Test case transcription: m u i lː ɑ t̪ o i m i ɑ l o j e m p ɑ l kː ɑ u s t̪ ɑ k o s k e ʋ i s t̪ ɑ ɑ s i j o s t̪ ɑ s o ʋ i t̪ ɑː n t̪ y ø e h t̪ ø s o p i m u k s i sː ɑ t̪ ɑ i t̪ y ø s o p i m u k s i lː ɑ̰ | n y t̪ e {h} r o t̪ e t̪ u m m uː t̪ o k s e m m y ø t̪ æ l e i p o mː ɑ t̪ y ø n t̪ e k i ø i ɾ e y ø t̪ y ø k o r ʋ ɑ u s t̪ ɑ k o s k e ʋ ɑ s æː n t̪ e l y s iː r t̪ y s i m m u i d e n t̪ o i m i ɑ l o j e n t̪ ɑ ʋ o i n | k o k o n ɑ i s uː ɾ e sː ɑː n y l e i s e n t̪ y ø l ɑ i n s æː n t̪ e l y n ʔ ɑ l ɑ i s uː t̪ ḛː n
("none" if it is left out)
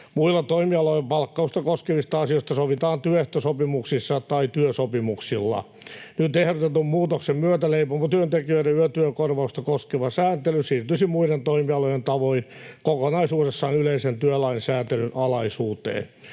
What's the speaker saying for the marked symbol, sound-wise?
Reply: h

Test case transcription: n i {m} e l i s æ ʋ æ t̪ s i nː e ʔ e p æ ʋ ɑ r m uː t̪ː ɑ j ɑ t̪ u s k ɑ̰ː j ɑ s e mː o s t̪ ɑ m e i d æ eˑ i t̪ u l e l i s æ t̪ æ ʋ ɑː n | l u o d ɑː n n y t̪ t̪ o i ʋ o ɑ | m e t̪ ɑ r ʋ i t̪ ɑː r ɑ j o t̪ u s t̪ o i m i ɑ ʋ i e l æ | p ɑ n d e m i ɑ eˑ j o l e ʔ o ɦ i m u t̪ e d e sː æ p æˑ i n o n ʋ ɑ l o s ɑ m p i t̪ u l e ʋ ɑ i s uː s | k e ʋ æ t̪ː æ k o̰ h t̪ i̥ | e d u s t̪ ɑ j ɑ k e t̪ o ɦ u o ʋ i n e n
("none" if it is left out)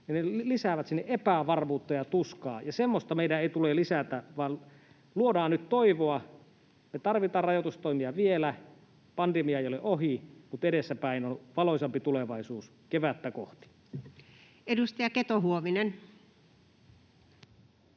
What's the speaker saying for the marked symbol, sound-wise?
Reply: n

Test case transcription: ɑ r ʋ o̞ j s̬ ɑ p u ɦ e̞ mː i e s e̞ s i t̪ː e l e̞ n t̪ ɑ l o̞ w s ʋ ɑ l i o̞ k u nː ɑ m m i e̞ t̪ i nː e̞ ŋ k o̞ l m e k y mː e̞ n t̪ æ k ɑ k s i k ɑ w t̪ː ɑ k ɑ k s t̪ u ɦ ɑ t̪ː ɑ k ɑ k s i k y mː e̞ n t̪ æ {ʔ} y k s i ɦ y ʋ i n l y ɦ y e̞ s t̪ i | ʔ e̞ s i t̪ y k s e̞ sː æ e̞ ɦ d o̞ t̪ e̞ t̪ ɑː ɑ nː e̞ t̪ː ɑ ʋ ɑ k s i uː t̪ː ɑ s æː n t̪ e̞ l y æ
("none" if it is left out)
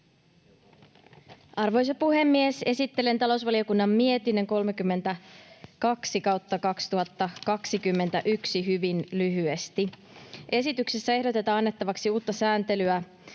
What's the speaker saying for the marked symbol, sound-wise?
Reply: ʔ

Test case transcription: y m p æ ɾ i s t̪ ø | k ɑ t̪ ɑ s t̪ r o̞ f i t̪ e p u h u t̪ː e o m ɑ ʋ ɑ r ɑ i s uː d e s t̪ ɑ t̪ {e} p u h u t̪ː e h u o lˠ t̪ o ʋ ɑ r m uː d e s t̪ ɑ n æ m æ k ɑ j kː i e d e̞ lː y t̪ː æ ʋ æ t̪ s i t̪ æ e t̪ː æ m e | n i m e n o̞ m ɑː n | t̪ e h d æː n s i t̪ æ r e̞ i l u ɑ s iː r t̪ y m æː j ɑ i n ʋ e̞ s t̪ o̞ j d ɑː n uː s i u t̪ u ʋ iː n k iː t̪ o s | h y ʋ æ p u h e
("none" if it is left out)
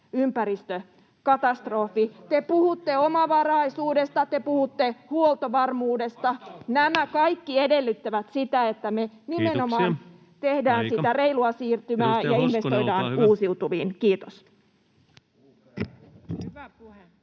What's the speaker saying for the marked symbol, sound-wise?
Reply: e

